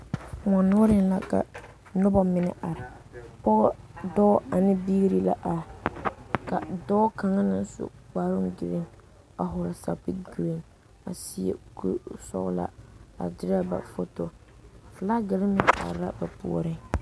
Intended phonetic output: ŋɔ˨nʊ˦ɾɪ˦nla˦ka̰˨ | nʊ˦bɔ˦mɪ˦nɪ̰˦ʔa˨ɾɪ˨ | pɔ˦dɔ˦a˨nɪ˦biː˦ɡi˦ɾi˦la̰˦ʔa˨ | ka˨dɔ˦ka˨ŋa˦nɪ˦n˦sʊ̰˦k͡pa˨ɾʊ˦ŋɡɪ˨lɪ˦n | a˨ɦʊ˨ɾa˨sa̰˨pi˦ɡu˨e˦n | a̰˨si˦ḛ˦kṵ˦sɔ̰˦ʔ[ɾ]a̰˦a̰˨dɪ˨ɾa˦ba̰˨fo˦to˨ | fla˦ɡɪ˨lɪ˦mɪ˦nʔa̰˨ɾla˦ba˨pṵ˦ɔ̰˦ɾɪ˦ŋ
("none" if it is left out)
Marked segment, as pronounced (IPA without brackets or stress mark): l